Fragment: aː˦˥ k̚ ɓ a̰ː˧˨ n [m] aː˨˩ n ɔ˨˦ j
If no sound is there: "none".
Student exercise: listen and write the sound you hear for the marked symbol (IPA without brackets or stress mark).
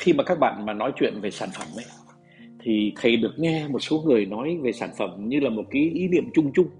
m